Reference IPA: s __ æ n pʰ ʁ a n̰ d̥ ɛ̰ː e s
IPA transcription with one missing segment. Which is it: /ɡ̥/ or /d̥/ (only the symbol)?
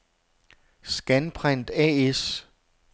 ɡ̥